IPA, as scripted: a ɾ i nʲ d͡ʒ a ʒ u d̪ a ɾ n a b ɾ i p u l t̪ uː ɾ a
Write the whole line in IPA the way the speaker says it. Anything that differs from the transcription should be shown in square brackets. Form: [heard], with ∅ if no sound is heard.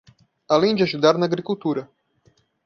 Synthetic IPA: a [l] i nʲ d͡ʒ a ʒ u d̪ a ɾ n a [ɡ] ɾ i [k] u l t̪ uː ɾ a